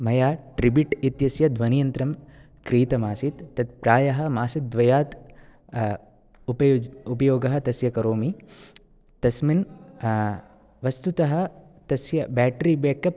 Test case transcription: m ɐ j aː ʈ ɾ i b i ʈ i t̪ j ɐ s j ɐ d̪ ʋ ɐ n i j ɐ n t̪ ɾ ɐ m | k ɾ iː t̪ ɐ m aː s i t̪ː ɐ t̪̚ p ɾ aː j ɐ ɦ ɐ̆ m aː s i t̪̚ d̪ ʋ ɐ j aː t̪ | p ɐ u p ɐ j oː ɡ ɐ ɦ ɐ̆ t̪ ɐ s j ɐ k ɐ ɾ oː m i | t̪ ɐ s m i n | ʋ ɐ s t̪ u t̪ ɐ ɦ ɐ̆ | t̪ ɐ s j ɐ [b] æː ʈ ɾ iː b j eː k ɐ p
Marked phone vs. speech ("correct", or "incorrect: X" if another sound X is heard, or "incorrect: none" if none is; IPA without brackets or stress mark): correct